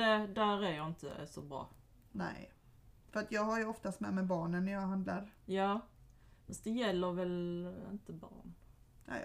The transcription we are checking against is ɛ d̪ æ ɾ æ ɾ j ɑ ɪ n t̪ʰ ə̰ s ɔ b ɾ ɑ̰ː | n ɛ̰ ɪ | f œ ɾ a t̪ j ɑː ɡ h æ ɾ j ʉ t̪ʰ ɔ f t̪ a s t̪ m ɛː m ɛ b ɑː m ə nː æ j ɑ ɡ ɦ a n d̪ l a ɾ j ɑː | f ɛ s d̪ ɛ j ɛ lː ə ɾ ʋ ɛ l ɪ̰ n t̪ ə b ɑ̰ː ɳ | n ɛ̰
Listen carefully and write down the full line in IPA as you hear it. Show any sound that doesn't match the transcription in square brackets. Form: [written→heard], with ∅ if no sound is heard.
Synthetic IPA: ɛ d̪ æ ɾ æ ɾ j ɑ ɪ n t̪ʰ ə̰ s ɔ b ɾ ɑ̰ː | n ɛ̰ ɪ | f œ ɾ a t̪ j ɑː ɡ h [æ→a] ɾ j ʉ [t̪ʰ→∅] ɔ f t̪ a s t̪ m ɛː m ɛ b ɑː [m→ɳ] ə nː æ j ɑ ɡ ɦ a n d̪ l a ɾ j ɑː | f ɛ s d̪ ɛ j ɛ lː ə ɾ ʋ ɛ l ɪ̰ n t̪ ə b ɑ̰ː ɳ | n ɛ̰